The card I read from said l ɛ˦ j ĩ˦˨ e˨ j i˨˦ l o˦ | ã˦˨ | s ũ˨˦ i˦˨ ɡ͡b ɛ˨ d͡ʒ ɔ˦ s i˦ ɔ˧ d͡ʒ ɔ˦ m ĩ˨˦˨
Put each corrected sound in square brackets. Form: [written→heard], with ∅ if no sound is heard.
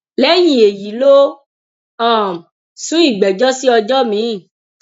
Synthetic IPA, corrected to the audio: l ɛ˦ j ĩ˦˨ e˨ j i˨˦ l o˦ | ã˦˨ | s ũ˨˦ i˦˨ ɡ͡b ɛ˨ d͡ʒ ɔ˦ s i˦ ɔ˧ d͡ʒ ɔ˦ m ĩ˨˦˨